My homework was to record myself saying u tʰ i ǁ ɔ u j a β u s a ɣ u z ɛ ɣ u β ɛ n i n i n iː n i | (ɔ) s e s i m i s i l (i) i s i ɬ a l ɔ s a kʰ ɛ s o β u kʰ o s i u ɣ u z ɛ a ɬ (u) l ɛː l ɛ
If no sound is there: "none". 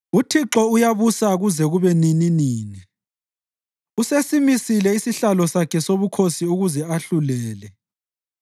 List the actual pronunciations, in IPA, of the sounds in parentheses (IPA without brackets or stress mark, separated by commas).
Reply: u, ɛ, u